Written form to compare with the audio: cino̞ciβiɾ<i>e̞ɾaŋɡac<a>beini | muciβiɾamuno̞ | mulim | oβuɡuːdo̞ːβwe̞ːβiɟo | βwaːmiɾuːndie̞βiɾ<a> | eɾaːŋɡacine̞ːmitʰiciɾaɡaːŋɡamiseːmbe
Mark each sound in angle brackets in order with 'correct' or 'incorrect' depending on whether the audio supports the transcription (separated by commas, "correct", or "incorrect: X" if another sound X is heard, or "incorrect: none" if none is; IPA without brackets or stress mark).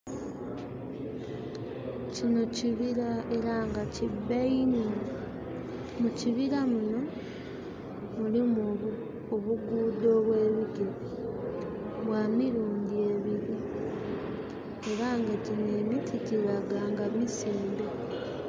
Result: incorrect: a, incorrect: i, incorrect: i